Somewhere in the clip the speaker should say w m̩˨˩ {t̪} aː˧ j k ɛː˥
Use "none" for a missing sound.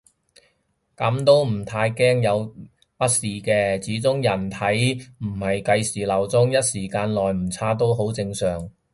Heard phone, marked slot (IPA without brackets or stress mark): t̪ʰ